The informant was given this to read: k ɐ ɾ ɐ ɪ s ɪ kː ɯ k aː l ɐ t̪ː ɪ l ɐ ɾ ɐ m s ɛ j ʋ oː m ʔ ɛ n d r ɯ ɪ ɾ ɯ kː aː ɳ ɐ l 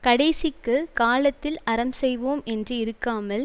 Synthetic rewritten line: k ɐ ɽ ɐ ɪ s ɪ kː ɯ k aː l ɐ t̪ː ɪ l ɐ ɾ ɐ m s ɛ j ʋ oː m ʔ ɛ n d r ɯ ɪ ɾ ɯ kː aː m ɐ l